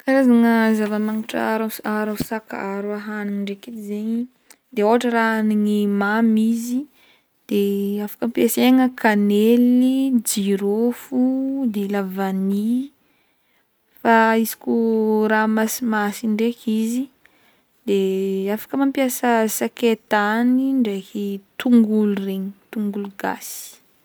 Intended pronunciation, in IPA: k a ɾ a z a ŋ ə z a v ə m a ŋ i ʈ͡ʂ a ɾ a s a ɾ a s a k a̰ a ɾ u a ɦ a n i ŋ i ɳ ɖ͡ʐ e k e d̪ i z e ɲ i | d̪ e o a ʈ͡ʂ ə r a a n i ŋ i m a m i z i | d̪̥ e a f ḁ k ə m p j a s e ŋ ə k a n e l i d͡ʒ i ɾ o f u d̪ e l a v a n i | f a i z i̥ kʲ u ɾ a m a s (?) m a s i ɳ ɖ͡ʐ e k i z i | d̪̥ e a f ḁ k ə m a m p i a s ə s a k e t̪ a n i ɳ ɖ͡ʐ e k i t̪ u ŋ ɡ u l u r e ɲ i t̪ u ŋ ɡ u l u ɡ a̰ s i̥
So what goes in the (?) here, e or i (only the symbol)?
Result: i